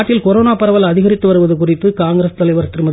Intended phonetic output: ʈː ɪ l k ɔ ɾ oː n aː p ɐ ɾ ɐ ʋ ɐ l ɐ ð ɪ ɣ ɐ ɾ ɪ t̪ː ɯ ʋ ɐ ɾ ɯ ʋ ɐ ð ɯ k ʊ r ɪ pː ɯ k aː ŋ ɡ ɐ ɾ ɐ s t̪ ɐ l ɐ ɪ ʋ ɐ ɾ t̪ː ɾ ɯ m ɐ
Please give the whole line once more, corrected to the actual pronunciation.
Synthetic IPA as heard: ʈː ɪ l k ɔ ɾ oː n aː p ɐ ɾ ɐ ʋ ɐ l ɐ ð ɪ ɣ ɐ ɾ ɪ t̪ː ɯ ʋ ɐ ɾ ɯ ʋ ɐ ð ɯ k ʊ r ɪ pː ɯ k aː ŋ ɡ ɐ ɾ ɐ s t̪ ɐ l ɐ ɪ ʋ ɐ ɾ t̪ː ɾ ɯ m ɐ